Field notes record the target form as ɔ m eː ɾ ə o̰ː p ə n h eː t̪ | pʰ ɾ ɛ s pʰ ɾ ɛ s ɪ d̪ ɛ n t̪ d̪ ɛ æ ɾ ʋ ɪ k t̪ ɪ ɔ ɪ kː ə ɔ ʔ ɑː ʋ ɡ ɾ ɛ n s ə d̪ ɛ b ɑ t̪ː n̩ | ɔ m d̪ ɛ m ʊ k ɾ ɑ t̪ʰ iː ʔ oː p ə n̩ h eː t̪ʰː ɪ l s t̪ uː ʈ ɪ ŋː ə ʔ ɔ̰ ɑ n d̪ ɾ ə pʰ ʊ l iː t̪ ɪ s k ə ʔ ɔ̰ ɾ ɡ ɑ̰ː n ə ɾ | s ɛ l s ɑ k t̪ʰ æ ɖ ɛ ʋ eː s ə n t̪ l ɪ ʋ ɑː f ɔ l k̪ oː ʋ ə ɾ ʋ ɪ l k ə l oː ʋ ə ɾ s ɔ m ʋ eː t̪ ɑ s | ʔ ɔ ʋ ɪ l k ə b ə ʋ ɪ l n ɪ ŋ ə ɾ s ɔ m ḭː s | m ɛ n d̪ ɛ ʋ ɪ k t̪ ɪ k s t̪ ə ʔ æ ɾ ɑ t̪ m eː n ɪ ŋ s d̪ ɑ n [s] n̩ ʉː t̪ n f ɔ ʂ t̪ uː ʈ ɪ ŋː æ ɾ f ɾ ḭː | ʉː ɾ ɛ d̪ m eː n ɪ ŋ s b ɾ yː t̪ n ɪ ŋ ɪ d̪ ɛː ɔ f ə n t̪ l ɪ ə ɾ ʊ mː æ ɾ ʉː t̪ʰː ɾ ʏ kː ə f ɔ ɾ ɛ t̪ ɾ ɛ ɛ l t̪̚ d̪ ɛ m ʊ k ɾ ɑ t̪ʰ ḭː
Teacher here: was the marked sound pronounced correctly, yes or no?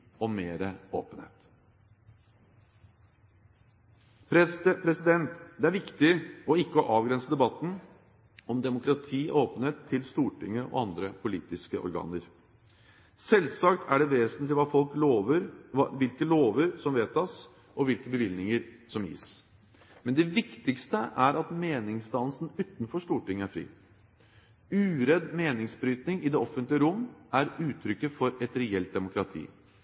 yes